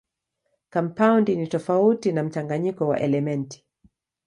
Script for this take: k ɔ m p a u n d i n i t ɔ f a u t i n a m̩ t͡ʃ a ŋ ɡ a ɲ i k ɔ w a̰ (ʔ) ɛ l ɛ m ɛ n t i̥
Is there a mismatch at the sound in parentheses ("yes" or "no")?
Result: no